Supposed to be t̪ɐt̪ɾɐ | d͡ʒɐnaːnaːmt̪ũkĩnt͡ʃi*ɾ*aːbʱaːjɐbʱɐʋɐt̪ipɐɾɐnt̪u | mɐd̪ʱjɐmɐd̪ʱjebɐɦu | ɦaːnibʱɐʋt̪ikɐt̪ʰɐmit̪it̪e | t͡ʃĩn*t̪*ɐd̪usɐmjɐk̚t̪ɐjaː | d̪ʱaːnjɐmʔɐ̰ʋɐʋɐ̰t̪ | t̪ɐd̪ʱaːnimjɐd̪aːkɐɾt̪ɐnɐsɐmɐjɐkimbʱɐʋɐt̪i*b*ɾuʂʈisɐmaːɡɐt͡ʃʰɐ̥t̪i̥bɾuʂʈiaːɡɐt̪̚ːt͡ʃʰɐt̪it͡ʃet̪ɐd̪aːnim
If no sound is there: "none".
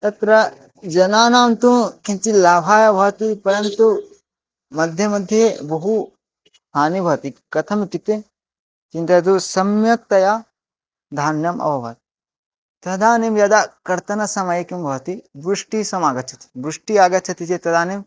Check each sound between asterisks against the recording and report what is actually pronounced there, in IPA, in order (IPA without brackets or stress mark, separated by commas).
l, t̪, b